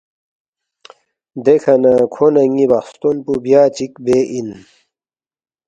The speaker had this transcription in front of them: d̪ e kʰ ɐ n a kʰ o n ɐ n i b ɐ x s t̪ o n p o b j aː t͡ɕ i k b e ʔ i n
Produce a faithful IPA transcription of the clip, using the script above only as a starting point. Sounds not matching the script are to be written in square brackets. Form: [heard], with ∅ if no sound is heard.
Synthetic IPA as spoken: d̪ e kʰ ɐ n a kʰ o n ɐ [ŋ] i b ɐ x s t̪ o n p [u] b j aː t͡ɕ i k b e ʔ i n